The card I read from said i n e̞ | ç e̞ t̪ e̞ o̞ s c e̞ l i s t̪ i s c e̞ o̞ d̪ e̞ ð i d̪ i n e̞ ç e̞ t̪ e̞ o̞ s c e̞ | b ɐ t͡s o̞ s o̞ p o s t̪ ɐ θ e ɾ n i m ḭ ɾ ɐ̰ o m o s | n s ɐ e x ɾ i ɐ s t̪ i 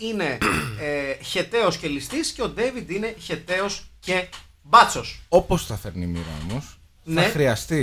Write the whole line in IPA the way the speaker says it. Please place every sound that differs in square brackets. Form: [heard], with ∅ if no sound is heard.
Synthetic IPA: i n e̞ | ç e̞ t̪ e̞ o̞ s c e̞ l i s t̪ i s c e̞ o̞ d̪ e̞ [v] i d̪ i n e̞ ç e̞ t̪ e̞ o̞ s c e̞ | b ɐ t͡s o̞ s o̞ p o s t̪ ɐ θ e ɾ n i m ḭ ɾ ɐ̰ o m o s | n [θ] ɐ e x ɾ i ɐ s t̪ i